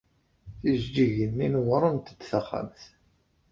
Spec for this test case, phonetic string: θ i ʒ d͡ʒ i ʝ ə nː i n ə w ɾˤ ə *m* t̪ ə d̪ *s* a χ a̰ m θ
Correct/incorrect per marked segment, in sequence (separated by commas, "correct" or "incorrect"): incorrect, incorrect